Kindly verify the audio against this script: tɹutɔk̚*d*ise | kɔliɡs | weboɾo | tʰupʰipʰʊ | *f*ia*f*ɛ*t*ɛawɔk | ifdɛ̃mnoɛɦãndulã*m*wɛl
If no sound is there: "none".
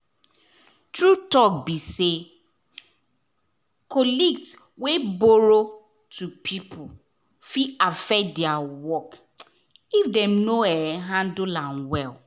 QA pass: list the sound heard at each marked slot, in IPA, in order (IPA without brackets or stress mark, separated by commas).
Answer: b, f, f, d, n